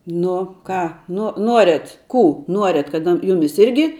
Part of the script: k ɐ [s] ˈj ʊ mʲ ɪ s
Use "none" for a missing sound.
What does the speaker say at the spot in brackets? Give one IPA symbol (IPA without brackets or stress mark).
t